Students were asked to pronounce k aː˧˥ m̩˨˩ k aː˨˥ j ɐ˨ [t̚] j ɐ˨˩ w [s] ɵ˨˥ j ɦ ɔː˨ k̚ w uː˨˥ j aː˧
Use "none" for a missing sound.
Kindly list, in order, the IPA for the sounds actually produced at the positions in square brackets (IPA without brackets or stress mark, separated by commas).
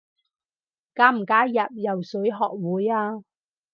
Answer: p̚, s